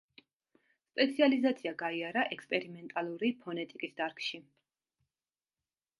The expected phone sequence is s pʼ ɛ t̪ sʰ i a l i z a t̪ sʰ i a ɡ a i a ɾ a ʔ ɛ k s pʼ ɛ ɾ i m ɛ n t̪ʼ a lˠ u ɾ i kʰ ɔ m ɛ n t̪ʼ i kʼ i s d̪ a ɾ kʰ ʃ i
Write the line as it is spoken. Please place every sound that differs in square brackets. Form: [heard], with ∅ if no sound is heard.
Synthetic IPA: s pʼ ɛ t̪ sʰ i a l i z a t̪ sʰ i a ɡ a i a ɾ a ʔ ɛ k s pʼ ɛ ɾ i m ɛ n t̪ʼ a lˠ u ɾ i [pʰ] ɔ [n] ɛ [∅] t̪ʼ i kʼ i s d̪ a ɾ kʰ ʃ i